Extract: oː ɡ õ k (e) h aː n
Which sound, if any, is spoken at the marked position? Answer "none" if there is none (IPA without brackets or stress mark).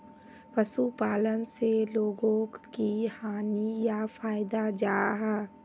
i